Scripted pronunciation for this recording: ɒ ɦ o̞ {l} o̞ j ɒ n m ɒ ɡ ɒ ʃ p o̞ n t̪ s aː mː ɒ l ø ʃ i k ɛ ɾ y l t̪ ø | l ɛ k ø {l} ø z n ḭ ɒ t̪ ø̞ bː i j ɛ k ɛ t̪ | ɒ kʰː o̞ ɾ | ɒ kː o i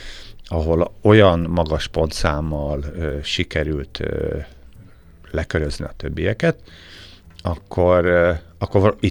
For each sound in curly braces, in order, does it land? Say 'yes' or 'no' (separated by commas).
yes, no